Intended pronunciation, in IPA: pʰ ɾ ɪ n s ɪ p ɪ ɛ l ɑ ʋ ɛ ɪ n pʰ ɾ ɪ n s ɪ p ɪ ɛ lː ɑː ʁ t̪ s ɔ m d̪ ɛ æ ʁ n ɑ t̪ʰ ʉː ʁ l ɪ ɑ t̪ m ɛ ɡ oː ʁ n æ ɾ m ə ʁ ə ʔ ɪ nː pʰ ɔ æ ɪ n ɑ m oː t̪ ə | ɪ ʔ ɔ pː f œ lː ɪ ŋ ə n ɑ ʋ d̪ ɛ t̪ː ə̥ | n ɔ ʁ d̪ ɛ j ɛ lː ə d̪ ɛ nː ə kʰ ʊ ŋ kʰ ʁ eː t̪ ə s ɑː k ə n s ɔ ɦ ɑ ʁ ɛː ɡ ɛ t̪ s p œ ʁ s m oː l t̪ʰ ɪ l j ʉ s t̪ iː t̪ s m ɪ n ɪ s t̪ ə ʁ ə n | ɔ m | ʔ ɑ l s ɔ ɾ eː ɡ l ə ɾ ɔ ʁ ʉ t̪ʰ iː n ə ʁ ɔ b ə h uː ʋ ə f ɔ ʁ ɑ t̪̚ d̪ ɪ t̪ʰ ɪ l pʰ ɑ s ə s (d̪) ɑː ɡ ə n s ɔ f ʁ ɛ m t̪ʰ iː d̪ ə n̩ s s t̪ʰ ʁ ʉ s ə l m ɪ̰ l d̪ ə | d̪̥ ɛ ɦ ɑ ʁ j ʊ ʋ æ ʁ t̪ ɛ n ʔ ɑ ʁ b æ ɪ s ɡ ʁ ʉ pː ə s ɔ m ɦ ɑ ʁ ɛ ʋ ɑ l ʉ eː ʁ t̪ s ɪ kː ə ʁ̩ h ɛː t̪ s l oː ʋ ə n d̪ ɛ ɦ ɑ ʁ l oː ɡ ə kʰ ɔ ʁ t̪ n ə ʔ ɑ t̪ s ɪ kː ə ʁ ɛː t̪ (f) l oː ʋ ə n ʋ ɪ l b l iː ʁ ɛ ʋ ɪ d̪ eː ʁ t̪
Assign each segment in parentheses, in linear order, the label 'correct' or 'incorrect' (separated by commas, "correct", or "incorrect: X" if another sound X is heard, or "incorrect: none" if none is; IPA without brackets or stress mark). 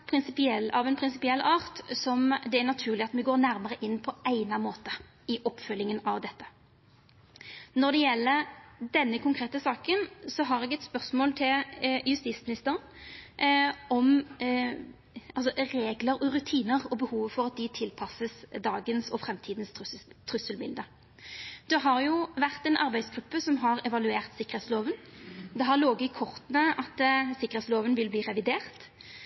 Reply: correct, incorrect: s